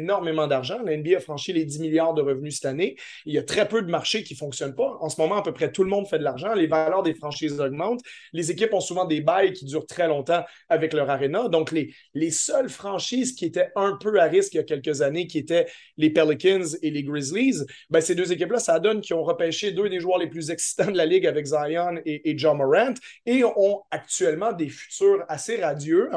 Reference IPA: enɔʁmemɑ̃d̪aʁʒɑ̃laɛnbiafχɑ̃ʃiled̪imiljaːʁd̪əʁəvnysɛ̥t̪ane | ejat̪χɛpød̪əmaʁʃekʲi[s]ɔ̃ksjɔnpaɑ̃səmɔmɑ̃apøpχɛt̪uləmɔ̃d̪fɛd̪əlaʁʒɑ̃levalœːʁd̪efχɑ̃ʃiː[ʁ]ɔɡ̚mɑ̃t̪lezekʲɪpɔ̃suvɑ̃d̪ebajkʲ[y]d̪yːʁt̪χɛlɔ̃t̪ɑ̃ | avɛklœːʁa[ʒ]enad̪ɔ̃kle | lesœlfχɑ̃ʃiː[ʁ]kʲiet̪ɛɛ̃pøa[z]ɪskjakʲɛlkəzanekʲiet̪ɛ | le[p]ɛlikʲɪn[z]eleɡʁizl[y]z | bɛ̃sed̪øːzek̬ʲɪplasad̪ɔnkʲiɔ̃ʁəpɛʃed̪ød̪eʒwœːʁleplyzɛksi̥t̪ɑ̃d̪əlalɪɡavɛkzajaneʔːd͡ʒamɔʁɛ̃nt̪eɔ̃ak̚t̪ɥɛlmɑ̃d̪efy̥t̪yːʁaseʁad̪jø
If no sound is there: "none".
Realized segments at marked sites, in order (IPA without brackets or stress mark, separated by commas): f, z, i, ʁ, z, ʁ, p, z, i